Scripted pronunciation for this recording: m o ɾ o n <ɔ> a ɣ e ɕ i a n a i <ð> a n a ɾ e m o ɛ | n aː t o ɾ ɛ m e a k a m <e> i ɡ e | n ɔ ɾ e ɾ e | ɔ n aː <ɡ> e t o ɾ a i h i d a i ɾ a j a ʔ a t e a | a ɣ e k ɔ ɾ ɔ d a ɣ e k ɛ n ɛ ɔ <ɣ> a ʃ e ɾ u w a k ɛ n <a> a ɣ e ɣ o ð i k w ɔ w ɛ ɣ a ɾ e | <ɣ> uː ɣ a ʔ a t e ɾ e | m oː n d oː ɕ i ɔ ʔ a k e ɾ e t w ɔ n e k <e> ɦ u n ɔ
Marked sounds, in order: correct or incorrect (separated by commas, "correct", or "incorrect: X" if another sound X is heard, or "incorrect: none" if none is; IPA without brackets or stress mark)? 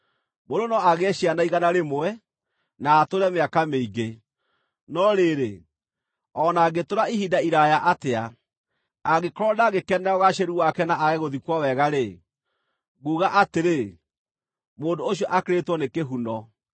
correct, incorrect: ɣ, correct, correct, correct, correct, correct, correct